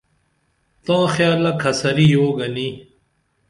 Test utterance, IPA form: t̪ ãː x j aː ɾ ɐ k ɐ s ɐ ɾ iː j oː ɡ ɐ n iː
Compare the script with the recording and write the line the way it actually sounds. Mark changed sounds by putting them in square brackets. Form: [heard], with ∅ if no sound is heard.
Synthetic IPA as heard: t̪ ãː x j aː [l] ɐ [kʰ] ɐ s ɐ ɾ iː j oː ɡ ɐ n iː